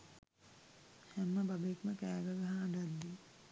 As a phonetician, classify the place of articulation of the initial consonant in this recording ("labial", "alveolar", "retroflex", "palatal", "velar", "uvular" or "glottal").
glottal